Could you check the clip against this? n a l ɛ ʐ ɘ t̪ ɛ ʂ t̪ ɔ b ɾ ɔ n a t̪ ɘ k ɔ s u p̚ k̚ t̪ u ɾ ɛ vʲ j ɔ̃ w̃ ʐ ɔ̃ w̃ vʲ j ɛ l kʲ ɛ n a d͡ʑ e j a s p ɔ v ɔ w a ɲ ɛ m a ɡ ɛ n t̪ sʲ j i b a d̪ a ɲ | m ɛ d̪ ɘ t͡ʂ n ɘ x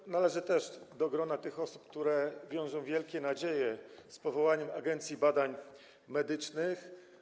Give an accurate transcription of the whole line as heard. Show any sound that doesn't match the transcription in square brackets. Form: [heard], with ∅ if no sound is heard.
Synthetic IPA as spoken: n a l ɛ ʐ ɘ t̪ ɛ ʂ [d̪] ɔ [ɡ] ɾ ɔ n a t̪ ɘ [x] ɔ s u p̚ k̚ t̪ u ɾ ɛ vʲ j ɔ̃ w̃ ʐ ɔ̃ w̃ vʲ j ɛ l kʲ ɛ n a d͡ʑ e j [ɛ] s p ɔ v ɔ w a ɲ ɛ m a ɡ ɛ n t̪ sʲ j i b a d̪ a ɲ | m ɛ d̪ ɘ t͡ʂ n ɘ x

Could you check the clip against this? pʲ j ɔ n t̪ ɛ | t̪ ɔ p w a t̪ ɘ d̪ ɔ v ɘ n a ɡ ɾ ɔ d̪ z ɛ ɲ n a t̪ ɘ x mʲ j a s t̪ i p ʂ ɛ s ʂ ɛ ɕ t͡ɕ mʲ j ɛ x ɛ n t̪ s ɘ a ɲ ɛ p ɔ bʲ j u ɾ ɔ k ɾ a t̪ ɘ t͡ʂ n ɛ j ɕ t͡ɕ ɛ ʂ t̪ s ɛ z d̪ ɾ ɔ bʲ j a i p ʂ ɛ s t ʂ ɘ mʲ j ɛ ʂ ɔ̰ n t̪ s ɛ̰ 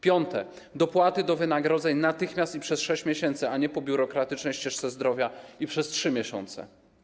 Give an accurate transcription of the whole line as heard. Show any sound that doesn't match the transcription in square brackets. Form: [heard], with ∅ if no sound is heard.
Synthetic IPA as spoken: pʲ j ɔ n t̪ ɛ | [d̪] ɔ p w a t̪ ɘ d̪ ɔ v ɘ n a ɡ ɾ ɔ d̪ z ɛ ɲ n a t̪ ɘ x mʲ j a s t̪ i p ʂ ɛ s ʂ ɛ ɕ t͡ɕ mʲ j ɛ [ɕ] ɛ n t̪ s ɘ a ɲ ɛ p ɔ bʲ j u ɾ ɔ k ɾ a t̪ ɘ t͡ʂ n ɛ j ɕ t͡ɕ ɛ ʂ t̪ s ɛ z d̪ ɾ ɔ [vʲ] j a i p ʂ ɛ s t ʂ ɘ mʲ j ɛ [ɕ] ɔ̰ n t̪ s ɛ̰

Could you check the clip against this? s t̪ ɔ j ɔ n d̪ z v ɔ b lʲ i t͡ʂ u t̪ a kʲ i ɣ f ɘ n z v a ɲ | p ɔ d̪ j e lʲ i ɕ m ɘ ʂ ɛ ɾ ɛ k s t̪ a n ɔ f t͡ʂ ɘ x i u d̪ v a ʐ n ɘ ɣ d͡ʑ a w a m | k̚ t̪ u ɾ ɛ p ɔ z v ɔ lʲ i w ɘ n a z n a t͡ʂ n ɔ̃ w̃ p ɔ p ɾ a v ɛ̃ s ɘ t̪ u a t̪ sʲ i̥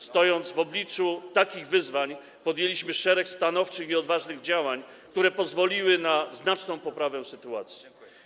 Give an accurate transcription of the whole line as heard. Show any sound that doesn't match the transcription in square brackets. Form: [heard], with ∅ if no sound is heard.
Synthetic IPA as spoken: s t̪ ɔ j ɔ n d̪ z v ɔ b lʲ i t͡ʂ u t̪ a kʲ i ɣ [v] ɘ [∅] z v a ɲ | p ɔ d̪ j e lʲ i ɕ m ɘ ʂ ɛ ɾ ɛ k s t̪ a n ɔ f t͡ʂ ɘ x i [ɔ] d̪ v a ʐ n ɘ ɣ d͡ʑ a w a [ɲ] | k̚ t̪ u ɾ ɛ p ɔ z v ɔ lʲ i w ɘ n a z n a t͡ʂ n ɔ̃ w̃ p ɔ p ɾ a v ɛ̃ s ɘ t̪ u a t̪ sʲ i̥

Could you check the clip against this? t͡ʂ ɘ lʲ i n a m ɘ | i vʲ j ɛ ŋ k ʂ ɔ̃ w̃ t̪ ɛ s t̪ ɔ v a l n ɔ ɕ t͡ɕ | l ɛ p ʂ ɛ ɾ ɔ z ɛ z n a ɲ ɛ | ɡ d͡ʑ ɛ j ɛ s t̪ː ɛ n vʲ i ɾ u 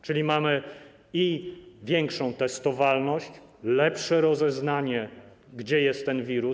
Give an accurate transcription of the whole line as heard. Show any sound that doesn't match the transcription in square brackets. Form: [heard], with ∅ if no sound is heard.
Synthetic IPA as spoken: t͡ʂ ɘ lʲ i [m] a m ɘ | i vʲ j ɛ ŋ k ʂ ɔ̃ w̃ t̪ ɛ s t̪ ɔ v a l n ɔ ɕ t͡ɕ | l ɛ p ʂ ɛ ɾ ɔ z ɛ z n a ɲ ɛ | ɡ d͡ʑ ɛ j ɛ s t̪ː ɛ n vʲ i ɾ u

